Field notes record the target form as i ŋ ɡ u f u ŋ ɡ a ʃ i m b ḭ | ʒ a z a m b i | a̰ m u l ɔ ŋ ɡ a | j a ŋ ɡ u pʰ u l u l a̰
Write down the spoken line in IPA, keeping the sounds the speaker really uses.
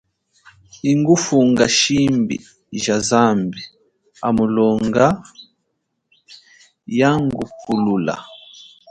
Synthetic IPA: i ŋ ɡ u f u ŋ ɡ a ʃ i m b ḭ | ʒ a z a m b i | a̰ m u l ɔ ŋ ɡ a | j a ŋ ɡ u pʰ u l u l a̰